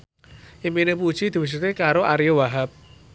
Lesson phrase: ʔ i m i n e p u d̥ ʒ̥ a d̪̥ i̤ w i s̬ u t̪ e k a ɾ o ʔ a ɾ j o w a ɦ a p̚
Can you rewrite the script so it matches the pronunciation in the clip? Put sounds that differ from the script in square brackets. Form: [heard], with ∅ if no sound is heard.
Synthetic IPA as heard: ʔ i m i n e p u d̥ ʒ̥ [i] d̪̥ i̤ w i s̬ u t̪ e k a ɾ o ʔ a ɾ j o w a ɦ a p̚